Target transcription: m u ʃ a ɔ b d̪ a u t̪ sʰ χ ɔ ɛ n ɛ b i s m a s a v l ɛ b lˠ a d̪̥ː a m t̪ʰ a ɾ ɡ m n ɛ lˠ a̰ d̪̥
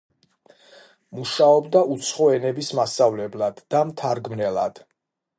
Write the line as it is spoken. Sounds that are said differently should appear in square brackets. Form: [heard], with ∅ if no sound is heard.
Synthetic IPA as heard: m u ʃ a ɔ b d̪ a u t̪ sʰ χ ɔ ɛ n ɛ b i s m a s a v l ɛ b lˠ a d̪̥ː a m t̪ʰ a ɾ ɡ m n ɛ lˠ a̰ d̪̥